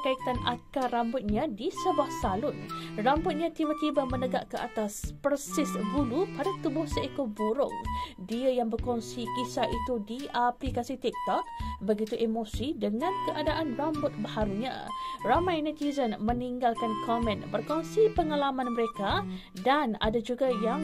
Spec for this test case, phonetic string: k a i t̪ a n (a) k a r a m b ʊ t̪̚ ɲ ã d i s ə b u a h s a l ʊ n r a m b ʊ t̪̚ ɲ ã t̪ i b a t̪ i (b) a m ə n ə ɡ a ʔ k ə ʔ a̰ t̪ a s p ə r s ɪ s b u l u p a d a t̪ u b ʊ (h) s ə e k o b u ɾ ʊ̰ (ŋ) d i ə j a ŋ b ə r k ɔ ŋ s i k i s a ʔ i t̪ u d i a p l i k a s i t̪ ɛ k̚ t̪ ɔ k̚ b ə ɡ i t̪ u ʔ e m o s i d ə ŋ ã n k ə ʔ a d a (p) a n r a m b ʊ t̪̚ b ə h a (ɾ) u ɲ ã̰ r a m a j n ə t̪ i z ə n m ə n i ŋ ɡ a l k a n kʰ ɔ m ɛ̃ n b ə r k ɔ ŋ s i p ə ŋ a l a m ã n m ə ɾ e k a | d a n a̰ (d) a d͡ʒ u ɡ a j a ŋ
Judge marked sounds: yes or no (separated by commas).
yes, yes, yes, yes, no, yes, yes